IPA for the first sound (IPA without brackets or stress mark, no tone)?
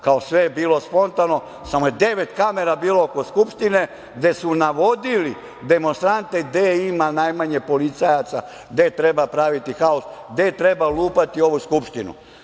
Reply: k